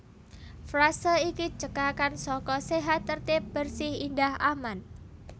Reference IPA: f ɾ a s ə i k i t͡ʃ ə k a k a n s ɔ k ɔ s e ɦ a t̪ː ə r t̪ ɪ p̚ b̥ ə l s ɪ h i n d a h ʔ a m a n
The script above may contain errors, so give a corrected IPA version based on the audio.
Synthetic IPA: f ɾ a s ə i k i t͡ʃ ə k a k a n s ɔ k ɔ s e ɦ a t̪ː ə r t̪ ɪ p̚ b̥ ə r s ɪ h i n d a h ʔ a m a n